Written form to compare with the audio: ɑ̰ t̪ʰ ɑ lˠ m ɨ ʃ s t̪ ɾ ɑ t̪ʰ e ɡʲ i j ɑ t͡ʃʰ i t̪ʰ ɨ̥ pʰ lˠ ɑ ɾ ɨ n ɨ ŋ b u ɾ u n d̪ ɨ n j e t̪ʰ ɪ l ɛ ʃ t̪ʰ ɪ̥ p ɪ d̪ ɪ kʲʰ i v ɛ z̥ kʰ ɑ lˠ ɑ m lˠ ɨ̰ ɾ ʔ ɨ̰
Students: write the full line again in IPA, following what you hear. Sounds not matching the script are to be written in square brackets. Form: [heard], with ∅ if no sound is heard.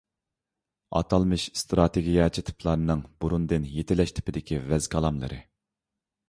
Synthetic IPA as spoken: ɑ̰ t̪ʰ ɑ lˠ m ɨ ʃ s t̪ ɾ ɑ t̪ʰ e ɡʲ i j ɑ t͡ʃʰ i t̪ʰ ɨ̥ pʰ lˠ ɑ ɾ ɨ n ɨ ŋ b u ɾ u n d̪ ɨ n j e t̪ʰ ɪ l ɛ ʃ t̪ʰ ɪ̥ p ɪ d̪ ɪ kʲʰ i v ɛ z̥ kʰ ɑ lˠ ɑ m lˠ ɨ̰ ɾ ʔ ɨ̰